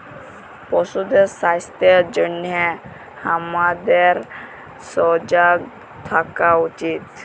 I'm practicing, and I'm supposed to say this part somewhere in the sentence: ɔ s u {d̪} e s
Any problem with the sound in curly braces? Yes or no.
no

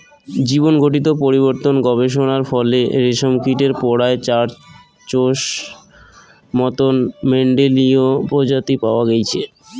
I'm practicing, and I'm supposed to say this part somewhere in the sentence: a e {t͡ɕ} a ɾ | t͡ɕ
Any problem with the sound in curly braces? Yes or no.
no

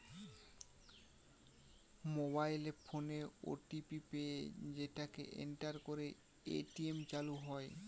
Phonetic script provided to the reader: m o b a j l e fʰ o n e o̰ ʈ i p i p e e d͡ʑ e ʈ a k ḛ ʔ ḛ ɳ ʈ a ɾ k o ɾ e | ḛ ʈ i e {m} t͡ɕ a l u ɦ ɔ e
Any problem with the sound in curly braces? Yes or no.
no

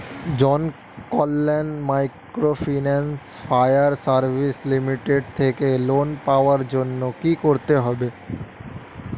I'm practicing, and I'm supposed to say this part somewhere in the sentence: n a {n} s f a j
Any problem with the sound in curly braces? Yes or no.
no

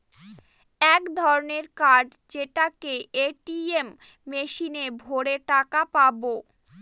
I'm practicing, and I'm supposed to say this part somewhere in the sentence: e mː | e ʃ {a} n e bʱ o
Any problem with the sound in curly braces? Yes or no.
yes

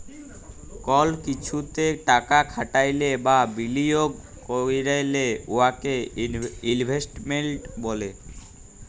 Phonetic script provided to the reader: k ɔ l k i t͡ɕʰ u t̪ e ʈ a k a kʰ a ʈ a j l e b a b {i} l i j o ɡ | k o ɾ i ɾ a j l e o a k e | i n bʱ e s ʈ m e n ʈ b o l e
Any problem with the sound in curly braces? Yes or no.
no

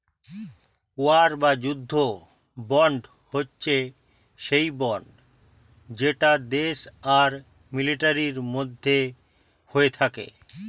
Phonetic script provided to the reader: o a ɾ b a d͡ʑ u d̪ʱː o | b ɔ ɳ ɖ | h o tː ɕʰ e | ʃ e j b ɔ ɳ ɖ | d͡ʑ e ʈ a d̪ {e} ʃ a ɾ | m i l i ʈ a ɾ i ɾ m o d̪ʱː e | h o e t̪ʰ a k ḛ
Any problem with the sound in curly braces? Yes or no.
no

